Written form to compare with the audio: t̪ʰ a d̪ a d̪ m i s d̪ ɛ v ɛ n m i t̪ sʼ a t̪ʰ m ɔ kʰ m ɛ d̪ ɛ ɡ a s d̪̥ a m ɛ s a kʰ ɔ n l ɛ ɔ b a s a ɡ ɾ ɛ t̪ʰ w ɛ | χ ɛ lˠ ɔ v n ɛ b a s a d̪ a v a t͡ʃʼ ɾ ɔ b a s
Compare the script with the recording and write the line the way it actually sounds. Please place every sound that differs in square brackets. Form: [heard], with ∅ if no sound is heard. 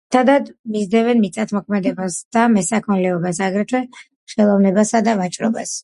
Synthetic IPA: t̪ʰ a d̪ a d̪ m i [z] d̪ ɛ v ɛ n m i t̪ sʼ a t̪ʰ m ɔ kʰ m ɛ d̪ ɛ [b] a s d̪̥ a m ɛ s a kʰ ɔ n l ɛ ɔ b a s a ɡ ɾ ɛ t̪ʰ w ɛ | χ ɛ lˠ ɔ v n ɛ b a s a d̪ a v a t͡ʃʼ ɾ ɔ b a s